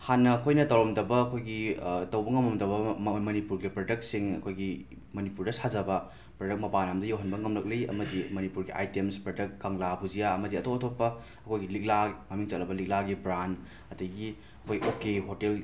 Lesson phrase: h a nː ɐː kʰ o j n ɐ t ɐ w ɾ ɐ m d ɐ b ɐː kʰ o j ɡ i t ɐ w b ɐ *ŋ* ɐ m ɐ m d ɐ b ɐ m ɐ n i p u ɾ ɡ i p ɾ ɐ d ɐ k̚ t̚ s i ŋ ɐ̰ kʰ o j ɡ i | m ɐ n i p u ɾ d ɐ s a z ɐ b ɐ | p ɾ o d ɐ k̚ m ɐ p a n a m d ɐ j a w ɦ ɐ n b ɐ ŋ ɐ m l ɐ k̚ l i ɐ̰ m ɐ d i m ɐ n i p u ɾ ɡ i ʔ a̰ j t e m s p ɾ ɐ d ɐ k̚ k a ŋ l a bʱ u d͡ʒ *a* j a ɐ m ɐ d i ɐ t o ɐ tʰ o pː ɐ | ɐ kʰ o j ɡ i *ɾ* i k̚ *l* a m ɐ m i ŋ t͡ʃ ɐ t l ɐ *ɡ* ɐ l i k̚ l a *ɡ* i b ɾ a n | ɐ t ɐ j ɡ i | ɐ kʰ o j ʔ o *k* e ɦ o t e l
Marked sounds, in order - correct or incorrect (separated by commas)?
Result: correct, incorrect, incorrect, correct, incorrect, correct, correct